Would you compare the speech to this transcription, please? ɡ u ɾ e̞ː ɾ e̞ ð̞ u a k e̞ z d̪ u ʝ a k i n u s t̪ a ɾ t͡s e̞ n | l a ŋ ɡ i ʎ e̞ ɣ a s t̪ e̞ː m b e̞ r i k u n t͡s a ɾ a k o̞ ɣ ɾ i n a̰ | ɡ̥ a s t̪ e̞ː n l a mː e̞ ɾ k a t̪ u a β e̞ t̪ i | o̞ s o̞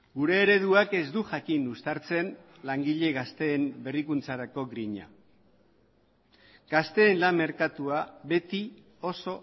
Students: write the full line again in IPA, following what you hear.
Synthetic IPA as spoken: ɡ u ɾ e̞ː ɾ e̞ ð̞ u a k e̞ z d̪ u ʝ a k i n u s t̪ a ɾ t͡s e̞ n | l a ŋ ɡ i ʎ e̞ ɣ a s t̪ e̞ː m b e̞ r i k u n t͡s a ɾ a k o̞ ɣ ɾ i ɲ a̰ | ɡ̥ a s t̪ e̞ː n l a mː e̞ ɾ k a t̪ u a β e̞ t̪ i | o̞ s o̞